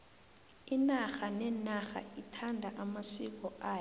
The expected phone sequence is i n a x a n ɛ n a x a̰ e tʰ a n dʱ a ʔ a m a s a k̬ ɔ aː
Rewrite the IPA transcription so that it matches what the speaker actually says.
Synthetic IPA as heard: i n a x a n ɛ n a x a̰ i tʰ a n dʱ a ʔ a m a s i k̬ ɔ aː